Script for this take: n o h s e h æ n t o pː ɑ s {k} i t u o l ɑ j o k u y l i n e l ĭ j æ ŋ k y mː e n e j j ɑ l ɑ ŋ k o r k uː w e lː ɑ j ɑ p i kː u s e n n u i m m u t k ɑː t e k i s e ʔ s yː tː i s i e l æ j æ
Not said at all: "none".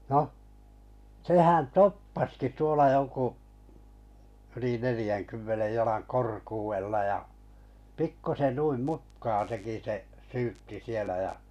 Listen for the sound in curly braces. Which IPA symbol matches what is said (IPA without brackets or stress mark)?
k